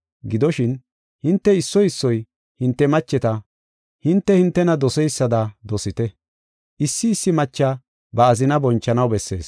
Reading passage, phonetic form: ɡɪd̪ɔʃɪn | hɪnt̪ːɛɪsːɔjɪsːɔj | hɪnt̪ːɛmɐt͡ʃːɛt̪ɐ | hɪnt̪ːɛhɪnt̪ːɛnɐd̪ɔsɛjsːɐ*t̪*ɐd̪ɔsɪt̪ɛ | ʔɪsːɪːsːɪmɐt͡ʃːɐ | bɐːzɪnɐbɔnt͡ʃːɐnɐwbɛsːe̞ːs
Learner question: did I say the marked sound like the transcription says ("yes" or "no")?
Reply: no